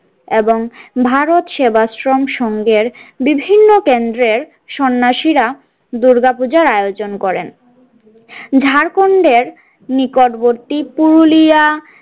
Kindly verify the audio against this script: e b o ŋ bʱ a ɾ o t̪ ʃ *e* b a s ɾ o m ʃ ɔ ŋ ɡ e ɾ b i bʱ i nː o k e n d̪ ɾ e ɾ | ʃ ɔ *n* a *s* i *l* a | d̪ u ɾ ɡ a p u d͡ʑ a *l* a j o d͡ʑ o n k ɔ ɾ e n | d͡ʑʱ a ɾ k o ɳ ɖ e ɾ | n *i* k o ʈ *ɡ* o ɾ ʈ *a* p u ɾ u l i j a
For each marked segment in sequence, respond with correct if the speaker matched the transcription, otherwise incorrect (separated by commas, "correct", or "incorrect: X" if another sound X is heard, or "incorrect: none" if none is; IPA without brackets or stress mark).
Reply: correct, incorrect: nː, incorrect: ʃ, incorrect: ɾ, incorrect: ɾ, correct, incorrect: b, incorrect: i